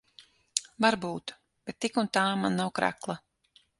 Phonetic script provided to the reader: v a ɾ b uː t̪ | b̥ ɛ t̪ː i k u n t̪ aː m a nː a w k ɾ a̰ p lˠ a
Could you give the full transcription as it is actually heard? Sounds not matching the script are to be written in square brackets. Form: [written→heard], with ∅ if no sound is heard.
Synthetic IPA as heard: v a ɾ b uː t̪ | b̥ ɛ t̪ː i k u n t̪ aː m a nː a w k ɾ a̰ [p→k] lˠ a